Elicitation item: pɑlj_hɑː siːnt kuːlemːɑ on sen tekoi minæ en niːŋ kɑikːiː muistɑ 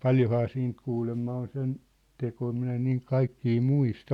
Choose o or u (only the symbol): o